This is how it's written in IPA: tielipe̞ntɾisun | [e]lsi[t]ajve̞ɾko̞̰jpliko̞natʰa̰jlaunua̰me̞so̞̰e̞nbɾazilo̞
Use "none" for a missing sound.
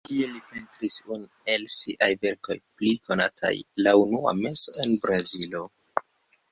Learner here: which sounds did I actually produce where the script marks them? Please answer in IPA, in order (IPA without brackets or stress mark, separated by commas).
e, ʔ